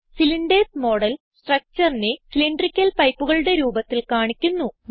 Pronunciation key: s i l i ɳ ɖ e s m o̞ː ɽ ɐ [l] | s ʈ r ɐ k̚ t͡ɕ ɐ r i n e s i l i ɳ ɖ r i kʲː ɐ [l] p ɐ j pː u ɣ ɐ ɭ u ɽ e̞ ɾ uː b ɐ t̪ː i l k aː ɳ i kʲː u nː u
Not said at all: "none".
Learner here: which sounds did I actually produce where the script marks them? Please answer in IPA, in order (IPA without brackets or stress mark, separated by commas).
l, l